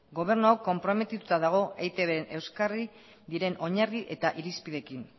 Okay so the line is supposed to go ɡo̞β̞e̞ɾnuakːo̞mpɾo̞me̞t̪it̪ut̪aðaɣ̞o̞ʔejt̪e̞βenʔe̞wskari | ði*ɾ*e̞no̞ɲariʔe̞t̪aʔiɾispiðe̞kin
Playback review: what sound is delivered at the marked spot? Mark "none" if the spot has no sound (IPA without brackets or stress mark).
ɾ